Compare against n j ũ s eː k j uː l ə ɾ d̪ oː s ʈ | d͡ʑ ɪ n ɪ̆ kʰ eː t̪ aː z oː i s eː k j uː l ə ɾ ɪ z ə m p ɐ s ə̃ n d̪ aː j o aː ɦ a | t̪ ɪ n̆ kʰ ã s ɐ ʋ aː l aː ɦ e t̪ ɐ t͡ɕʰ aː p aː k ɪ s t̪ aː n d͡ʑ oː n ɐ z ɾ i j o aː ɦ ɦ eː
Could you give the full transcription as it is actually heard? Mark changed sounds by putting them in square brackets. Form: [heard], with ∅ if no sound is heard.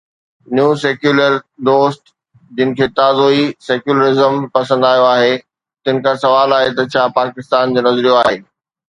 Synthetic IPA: n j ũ s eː k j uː l ə ɾ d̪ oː s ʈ | d͡ʑ ɪ n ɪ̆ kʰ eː t̪ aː z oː i s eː k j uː l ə ɾ ɪ z ə m p ɐ s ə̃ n d̪ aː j o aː ɦ [e] | t̪ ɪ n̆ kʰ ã s ɐ ʋ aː l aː ɦ e t̪ ɐ t͡ɕʰ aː p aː k ɪ s t̪ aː n d͡ʑ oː n ɐ z ɾ i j o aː ɦ ɦ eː

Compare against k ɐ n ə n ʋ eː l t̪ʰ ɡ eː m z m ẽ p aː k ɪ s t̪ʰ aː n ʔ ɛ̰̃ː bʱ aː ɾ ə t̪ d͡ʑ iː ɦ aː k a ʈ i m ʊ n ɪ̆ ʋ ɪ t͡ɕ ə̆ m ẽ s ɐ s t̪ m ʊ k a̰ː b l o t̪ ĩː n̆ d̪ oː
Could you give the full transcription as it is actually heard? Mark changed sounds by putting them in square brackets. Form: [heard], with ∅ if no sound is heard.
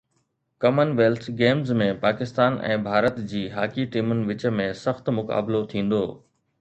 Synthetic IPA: k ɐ [m] ə n ʋ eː l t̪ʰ ɡ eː m z m ẽ p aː k ɪ s [t̪] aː n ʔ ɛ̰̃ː bʱ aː ɾ ə t̪ d͡ʑ iː ɦ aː k [i] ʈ [iː] m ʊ n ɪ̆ ʋ ɪ t͡ɕ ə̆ m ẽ s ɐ [x] t̪ m ʊ k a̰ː b l o [t̪ʰ] ĩː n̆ d̪ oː

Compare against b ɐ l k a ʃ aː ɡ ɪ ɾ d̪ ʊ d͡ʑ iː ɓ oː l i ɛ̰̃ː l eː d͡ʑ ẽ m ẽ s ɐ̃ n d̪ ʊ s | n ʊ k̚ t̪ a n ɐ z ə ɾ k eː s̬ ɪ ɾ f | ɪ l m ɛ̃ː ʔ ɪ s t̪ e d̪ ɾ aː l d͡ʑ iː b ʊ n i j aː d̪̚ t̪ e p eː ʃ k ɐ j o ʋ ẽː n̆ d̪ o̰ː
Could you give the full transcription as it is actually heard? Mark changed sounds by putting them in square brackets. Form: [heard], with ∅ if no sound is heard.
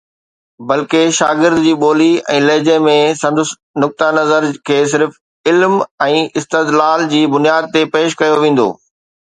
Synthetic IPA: b ɐ l k [e] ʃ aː ɡ ɪ ɾ d̪ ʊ d͡ʑ iː ɓ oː l i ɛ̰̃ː l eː d͡ʑ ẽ m ẽ s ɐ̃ n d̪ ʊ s | n ʊ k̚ t̪ a n ɐ z ə ɾ [kʰ] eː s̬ ɪ ɾ f | ɪ l m ɛ̃ː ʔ ɪ s t̪ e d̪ [l] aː l d͡ʑ iː b ʊ n i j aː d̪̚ t̪ e p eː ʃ k ɐ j o ʋ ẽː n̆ d̪ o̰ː

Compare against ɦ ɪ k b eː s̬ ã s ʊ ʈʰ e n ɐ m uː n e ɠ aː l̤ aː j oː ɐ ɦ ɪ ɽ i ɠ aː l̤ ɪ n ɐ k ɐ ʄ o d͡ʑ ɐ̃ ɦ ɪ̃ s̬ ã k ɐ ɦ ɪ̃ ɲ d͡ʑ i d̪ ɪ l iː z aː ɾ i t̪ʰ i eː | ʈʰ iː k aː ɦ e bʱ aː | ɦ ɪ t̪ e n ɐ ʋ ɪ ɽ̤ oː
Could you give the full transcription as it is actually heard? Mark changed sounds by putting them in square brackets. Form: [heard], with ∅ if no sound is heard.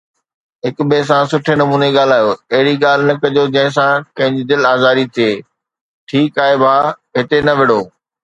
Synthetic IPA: ɦ ɪ k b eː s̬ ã s ʊ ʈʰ e n ɐ m uː n e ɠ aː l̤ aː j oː ɐ ɦ ɪ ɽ i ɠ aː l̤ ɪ n ɐ k ɐ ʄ o d͡ʑ ɐ̃ ɦ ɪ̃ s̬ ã k [ɐ̃] ɦ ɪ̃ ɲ d͡ʑ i d̪ ɪ l [aː] z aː ɾ i t̪ʰ i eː | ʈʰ iː k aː ɦ e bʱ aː | ɦ ɪ t̪ e n ɐ ʋ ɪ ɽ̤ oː

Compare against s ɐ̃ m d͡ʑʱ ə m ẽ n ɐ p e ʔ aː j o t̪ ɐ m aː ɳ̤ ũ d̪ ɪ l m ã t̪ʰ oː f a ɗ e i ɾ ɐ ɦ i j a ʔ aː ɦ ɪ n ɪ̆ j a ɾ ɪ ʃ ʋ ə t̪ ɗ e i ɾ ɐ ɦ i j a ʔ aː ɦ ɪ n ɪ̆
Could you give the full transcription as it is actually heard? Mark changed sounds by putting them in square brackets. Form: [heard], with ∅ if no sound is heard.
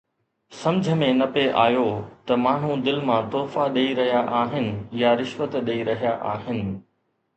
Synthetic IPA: s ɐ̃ m d͡ʑʱ ə m ẽ n ɐ p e ʔ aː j o t̪ ɐ m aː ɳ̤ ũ d̪ ɪ l m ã [t̪] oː f a ɗ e i ɾ ɐ ɦ i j a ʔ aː ɦ ɪ n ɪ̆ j a ɾ ɪ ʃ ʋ ə t̪ ɗ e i ɾ ɐ ɦ i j a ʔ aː ɦ ɪ n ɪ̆

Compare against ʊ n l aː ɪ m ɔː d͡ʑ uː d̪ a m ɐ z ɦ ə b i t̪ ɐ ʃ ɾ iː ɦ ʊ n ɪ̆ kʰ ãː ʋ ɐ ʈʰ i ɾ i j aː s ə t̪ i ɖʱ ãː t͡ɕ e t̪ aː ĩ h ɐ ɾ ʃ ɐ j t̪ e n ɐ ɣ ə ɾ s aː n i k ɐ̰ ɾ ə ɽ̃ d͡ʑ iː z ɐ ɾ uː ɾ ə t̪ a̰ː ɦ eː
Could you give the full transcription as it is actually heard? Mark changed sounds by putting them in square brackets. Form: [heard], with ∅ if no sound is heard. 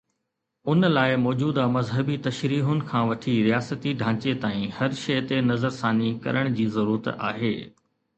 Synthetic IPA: ʊ n l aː ɪ m ɔː d͡ʑ uː d̪ a m ɐ z ɦ ə b i t̪ ɐ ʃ ɾ iː ɦ ʊ n ɪ̆ kʰ ãː ʋ ɐ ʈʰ i ɾ i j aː s ə t̪ i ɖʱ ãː t͡ɕ e t̪ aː ĩ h ɐ ɾ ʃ ɐ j t̪ e n ɐ [z] ə ɾ s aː n i k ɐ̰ ɾ ə ɽ̃ d͡ʑ iː z ɐ ɾ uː ɾ ə t̪ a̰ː ɦ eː

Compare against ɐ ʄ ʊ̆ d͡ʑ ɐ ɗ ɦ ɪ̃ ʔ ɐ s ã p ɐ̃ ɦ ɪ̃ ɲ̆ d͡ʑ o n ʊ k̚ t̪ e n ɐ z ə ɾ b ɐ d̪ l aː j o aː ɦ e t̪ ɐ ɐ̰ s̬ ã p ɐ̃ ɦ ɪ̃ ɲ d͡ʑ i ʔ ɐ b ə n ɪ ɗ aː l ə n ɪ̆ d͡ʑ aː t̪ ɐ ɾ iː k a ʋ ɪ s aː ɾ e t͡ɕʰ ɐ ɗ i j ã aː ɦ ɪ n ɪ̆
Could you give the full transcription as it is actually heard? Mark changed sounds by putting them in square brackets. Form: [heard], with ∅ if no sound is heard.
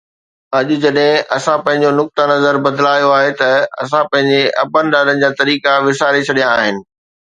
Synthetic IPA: ɐ ʄ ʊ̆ d͡ʑ ɐ ɗ ɦ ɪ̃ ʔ ɐ s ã p ɐ̃ ɦ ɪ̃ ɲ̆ d͡ʑ o n ʊ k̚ t̪ [a] n ɐ z ə ɾ b ɐ d̪ l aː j o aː ɦ e t̪ ɐ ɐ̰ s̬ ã p ɐ̃ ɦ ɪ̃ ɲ d͡ʑ [e] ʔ ɐ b ə n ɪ ɗ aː l ə n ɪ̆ d͡ʑ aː t̪ ɐ ɾ iː k a ʋ ɪ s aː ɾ e t͡ɕʰ ɐ ɗ i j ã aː ɦ ɪ n ɪ̆

